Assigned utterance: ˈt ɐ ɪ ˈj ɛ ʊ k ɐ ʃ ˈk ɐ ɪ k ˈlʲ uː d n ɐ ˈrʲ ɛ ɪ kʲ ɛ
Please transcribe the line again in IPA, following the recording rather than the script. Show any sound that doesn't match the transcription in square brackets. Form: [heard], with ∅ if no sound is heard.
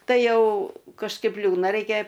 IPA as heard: ˈt ɐ ɪ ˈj ɛ ʊ k ɐ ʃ ˈk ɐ ɪ [p] ˈlʲ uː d n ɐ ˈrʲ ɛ ɪ kʲ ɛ